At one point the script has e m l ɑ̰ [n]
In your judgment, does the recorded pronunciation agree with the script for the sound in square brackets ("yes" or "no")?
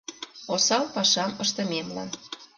yes